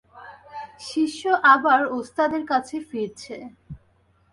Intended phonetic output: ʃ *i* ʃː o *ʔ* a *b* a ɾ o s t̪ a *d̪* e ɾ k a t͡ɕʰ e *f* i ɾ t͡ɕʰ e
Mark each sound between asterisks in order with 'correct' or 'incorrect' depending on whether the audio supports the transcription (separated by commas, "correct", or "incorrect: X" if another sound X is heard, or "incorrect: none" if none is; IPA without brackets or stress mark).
correct, correct, correct, correct, correct